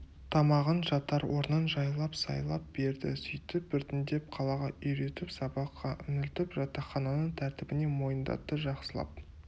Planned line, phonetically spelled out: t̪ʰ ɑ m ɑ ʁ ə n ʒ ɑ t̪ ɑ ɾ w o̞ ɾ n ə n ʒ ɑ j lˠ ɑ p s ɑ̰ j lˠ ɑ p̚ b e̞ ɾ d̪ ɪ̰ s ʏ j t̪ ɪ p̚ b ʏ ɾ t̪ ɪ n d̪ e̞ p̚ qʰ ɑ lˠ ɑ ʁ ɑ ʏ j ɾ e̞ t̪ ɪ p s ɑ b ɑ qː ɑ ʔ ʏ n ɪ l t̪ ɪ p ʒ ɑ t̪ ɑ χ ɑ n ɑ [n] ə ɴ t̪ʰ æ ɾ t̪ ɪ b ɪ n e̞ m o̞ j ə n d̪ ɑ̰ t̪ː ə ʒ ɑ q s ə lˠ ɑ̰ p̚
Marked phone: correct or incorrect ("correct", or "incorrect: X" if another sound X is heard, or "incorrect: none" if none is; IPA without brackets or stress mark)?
correct